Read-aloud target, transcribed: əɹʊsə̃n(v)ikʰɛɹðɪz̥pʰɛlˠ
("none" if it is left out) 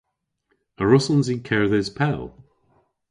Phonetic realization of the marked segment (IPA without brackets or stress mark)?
z